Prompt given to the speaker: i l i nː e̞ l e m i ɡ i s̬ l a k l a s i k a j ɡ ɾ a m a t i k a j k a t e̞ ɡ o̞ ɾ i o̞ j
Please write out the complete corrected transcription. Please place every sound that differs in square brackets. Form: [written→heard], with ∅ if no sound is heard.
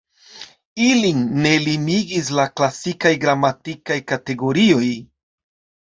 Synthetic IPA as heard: i l i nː e̞ l [e→i] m i ɡ i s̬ l a k l a s i k a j ɡ ɾ a m a t i k a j k a t e̞ ɡ o̞ ɾ i o̞ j